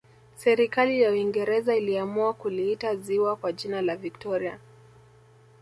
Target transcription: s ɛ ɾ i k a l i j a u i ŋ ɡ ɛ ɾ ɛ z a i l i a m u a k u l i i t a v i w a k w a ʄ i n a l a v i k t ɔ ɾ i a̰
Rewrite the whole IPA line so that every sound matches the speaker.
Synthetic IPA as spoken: s ɛ ɾ i k a l i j a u i ŋ ɡ ɛ ɾ ɛ z a i l i a m u a k u l i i t a z i w a k w a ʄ i n a l a v i k t ɔ ɾ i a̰

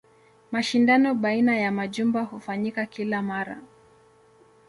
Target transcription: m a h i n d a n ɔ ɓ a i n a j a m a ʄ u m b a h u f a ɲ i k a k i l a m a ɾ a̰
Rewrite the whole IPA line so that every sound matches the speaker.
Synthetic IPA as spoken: m a ʃ i n d a n ɔ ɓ a i n a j a m a ʄ u m b a h u f a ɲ i k a k i l a m a ɾ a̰

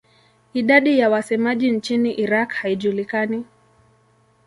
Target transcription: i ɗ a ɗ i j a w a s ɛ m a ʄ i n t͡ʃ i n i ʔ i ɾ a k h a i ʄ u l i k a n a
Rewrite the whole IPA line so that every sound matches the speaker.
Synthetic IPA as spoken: i ɗ a ɗ i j a w a s ɛ m a ʄ i n t͡ʃ i n i ʔ i ɾ a k h a i ʄ u l i k a n i

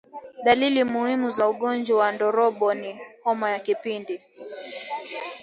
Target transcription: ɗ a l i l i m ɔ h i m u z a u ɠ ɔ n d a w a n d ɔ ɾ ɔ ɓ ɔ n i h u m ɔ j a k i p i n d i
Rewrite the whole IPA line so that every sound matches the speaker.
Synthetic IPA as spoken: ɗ a l i l i m u h i m u z a u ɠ ɔ n d͡ʒ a w a n d ɔ ɾ ɔ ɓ ɔ n i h ɔ m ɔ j a k i p i n d i

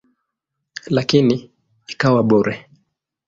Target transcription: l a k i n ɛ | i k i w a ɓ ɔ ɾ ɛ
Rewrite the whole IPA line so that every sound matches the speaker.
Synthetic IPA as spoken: l a k i n i | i k a w a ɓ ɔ ɾ ɛ

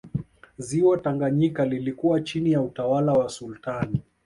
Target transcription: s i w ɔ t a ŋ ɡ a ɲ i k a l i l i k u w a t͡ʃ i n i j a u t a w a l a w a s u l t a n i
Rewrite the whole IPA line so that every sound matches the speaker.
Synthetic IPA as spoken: z i w ɔ t a ŋ ɡ a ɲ i k a l i l i k u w a t͡ʃ i n i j a u t a w a l a w a s u l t a n i

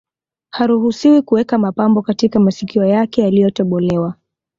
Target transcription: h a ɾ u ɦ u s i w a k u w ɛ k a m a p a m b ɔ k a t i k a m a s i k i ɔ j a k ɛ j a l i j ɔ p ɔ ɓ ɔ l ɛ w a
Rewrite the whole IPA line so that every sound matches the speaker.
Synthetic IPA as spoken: h a ɾ u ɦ u s i w i k u w ɛ k a m a p a m b ɔ k a t i k a m a s i k i ɔ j a k ɛ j a l i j ɔ t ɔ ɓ ɔ l ɛ w a

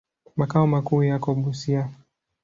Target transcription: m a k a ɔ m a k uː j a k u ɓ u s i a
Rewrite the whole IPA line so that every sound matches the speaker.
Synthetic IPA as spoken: m a k a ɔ m a k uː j a k ɔ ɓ u s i a

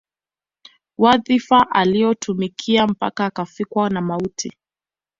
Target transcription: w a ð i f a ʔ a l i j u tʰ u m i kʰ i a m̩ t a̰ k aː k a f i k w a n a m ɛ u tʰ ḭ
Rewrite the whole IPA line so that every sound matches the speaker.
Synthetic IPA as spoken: w a ð i f a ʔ a l i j ɔ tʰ u m i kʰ i a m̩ p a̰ k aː k a f i k w a n a m a u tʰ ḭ

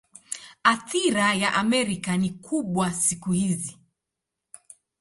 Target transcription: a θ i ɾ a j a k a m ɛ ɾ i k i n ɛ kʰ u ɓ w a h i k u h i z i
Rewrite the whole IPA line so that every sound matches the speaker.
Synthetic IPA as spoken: a θ i ɾ a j a ʔ a m ɛ ɾ i k a n i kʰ u ɓ w a s i k u h i z i

